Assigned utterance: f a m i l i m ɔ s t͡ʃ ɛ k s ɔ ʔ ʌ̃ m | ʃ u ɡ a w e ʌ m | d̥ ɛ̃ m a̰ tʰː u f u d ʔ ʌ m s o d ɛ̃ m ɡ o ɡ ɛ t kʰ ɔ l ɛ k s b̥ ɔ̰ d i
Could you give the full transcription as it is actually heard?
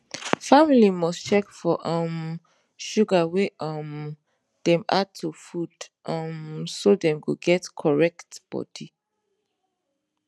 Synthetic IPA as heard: f a m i l i m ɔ s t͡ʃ ɛ k f ɔ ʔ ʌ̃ m | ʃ u ɡ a w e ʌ m | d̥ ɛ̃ m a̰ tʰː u f u d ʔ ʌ m s o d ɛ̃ m ɡ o ɡ ɛ t kʰ ɔ ɹ ɛ k t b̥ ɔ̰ d i